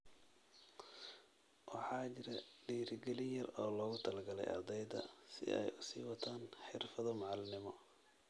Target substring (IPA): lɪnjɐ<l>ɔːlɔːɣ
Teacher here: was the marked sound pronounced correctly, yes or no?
no